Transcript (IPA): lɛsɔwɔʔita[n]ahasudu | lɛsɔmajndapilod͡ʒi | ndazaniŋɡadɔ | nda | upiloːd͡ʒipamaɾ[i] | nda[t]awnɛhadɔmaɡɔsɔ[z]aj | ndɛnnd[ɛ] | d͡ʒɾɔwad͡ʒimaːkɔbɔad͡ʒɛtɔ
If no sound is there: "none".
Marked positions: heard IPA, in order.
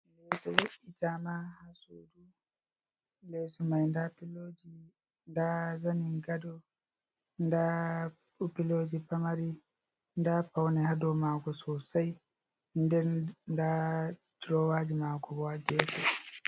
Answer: m, i, p, s, a

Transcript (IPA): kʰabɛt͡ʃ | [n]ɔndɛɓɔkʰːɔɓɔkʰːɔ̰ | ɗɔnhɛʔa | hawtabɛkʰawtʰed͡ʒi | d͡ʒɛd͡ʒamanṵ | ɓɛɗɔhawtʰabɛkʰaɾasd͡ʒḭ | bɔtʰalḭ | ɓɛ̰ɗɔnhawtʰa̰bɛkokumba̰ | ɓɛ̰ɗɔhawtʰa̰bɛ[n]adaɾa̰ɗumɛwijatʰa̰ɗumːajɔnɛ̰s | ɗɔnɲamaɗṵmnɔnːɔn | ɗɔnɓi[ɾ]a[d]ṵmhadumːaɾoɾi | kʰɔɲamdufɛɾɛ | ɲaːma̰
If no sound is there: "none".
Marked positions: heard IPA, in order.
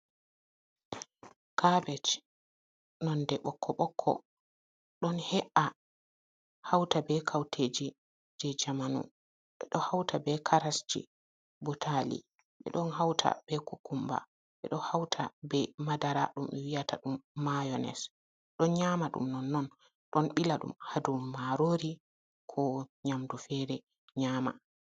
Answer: n, m, l, ɗ

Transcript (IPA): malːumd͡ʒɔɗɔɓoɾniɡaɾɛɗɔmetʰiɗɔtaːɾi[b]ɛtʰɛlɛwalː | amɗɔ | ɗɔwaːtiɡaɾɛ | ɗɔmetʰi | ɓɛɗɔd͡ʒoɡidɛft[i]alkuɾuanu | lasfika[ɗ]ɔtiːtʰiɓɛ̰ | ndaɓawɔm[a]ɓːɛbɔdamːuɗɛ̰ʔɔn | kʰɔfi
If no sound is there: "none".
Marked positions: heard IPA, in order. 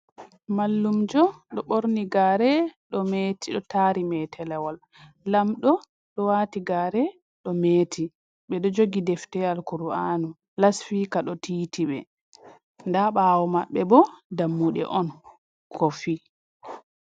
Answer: m, ɛ, ɗ, a

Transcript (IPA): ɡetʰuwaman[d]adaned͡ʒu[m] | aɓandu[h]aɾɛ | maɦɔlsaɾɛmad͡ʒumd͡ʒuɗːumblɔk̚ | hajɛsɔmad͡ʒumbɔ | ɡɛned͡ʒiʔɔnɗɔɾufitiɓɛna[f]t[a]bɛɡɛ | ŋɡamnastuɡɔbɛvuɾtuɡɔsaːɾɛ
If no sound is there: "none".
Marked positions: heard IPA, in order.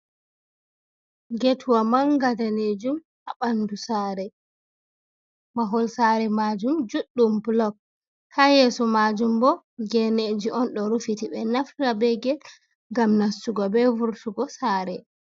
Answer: ɡ, m, s, f, a

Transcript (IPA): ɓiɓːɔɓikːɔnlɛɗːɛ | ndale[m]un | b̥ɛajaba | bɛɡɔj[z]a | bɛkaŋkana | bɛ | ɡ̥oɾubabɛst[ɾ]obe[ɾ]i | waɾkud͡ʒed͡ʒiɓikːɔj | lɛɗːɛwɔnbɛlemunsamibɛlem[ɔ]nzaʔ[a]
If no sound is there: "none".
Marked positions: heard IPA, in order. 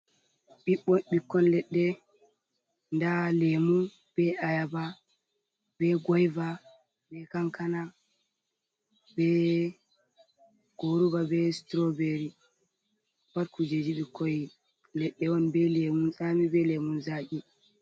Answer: m, v, ɾ, ɾ, u, i

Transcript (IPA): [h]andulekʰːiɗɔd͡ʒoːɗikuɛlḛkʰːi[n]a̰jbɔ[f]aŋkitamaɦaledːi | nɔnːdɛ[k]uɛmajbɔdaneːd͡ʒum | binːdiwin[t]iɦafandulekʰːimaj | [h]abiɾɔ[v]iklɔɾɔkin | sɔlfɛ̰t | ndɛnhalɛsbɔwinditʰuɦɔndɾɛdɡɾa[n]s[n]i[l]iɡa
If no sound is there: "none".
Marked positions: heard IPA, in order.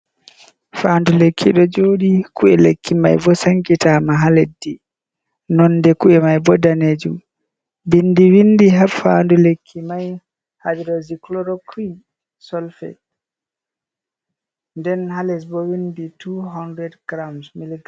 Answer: f, m, s, k, d, h, z, m, m, l

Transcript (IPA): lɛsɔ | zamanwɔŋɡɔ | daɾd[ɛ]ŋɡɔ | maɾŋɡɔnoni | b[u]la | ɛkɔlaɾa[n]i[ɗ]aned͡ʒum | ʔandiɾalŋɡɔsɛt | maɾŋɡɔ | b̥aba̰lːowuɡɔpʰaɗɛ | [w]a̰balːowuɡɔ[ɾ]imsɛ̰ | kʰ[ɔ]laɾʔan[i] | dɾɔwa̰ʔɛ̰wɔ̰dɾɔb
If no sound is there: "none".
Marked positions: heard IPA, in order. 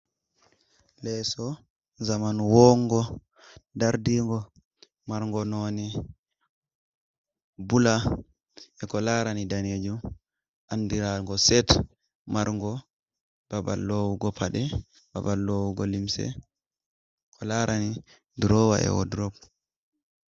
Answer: i, u, n, d, b, l, ɔ, i

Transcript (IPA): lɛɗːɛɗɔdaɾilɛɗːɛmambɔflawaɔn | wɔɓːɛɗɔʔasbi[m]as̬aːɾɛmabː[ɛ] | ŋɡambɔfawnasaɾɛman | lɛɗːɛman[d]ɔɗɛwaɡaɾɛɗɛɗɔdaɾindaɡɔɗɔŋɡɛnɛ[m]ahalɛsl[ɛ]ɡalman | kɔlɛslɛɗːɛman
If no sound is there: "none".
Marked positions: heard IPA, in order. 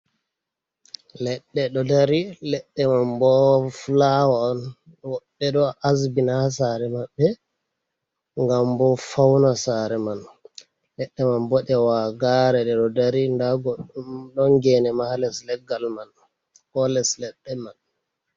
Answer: n, ɛ, b, m, ɛ

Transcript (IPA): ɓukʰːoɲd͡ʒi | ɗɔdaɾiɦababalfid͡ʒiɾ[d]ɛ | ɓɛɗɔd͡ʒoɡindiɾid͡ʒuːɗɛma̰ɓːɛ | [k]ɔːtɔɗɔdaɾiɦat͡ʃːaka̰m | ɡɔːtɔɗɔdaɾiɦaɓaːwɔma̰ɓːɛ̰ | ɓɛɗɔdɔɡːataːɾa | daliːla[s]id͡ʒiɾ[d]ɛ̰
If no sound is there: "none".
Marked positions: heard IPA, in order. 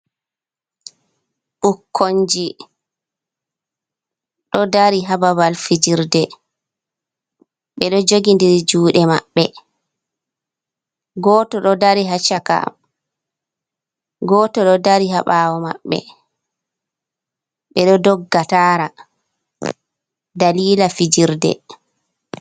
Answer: d, ɡ, f, d

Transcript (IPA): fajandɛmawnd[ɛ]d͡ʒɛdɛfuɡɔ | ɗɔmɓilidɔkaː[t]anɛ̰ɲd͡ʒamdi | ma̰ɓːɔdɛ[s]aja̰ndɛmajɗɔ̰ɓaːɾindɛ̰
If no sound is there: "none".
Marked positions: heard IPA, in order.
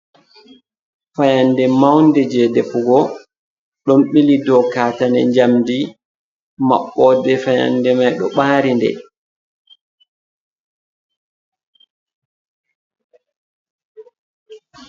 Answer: ɛ, t, f

